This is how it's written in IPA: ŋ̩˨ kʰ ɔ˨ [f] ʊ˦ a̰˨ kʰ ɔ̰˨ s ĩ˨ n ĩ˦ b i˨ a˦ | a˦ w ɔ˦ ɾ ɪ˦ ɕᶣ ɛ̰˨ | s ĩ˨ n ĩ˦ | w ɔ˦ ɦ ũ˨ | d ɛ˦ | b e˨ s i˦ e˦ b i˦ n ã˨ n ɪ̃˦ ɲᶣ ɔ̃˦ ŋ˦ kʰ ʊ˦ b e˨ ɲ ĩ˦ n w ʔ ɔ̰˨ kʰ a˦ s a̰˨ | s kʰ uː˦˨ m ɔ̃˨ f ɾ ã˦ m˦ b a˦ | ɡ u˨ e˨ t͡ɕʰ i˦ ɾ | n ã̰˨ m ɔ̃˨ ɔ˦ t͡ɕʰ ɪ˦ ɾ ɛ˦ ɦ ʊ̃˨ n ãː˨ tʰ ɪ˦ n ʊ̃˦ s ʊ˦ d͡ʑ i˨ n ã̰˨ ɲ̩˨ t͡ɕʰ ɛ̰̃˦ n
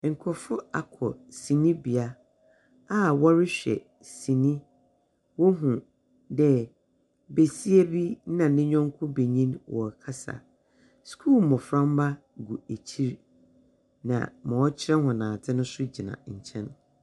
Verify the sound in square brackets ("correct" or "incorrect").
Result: correct